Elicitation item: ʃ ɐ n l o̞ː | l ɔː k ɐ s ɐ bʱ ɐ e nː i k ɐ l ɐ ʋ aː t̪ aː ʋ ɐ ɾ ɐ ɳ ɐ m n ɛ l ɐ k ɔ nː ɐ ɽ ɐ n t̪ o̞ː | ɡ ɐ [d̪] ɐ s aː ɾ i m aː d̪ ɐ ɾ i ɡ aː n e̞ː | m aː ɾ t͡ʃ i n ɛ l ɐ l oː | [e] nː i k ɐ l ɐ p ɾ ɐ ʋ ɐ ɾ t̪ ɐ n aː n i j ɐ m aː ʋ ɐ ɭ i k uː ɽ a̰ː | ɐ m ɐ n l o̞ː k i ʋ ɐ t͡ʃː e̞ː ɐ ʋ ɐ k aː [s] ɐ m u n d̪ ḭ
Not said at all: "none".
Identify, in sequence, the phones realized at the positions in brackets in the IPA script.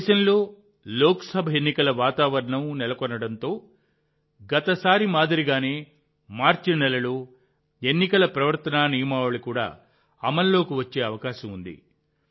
t̪, e, ʃ

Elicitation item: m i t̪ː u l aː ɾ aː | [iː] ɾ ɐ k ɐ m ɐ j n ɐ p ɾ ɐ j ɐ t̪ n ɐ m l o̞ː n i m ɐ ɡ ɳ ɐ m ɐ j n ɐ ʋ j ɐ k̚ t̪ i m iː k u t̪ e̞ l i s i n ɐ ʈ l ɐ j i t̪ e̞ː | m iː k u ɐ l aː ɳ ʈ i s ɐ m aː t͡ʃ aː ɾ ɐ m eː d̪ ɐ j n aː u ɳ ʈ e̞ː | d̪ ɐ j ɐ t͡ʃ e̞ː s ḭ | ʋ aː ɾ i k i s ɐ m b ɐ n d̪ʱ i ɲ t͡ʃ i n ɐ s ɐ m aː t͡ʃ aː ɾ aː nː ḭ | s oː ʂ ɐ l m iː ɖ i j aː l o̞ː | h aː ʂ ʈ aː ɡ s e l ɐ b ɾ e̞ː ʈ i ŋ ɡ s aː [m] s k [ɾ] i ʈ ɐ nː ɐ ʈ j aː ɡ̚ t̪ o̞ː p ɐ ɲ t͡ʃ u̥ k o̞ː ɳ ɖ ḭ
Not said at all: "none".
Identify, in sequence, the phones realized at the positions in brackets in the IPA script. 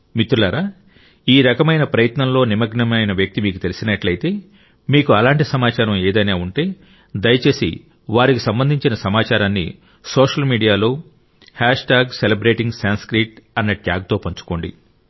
iː, n, ɾ

